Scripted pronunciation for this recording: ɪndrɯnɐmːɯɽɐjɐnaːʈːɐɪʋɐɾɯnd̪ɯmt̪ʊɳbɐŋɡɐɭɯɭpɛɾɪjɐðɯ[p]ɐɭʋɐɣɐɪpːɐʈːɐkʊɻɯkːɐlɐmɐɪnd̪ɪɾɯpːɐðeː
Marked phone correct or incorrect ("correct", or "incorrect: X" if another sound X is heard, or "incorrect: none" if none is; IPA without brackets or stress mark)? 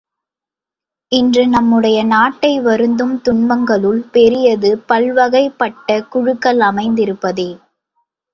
correct